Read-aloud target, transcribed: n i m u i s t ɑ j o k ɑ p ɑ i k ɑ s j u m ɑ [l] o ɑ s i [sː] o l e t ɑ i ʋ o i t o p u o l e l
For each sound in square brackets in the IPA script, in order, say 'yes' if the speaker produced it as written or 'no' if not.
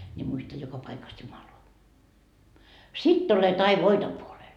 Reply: yes, no

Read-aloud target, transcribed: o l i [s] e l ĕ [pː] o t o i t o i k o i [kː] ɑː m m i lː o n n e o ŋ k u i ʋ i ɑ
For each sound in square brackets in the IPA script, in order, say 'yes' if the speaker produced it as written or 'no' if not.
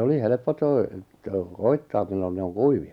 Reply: no, yes, no

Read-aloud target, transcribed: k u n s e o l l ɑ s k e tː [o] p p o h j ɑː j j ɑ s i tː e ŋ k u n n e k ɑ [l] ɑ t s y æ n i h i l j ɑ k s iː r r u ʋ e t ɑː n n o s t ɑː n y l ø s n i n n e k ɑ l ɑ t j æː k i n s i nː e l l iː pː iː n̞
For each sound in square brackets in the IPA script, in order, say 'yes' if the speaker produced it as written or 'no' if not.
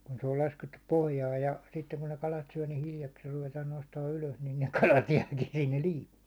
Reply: no, yes

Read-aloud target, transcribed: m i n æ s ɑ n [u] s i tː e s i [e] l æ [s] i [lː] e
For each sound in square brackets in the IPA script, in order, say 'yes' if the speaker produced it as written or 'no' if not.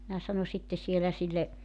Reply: no, yes, yes, yes

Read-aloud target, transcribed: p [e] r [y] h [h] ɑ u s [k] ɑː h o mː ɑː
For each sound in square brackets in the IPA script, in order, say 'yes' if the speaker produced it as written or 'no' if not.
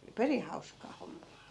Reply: yes, no, yes, yes

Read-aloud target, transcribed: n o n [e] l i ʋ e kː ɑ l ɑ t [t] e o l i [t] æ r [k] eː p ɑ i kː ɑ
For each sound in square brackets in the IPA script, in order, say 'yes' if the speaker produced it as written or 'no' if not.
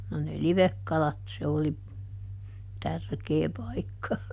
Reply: yes, no, yes, yes

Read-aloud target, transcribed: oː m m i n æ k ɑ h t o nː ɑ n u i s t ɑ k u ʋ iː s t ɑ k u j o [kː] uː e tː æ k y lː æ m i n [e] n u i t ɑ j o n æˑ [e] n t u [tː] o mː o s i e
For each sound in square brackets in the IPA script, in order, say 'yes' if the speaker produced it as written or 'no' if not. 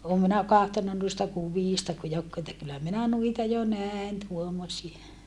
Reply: yes, no, yes, no

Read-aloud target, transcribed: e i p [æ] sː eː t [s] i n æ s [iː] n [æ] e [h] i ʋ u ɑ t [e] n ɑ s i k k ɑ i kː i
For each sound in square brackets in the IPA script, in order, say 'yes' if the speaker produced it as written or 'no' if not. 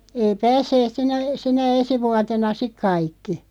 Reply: no, yes, no, yes, no, yes

